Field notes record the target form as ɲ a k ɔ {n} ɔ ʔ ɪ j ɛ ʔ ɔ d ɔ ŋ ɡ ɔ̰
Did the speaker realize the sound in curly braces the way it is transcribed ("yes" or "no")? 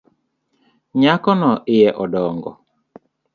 yes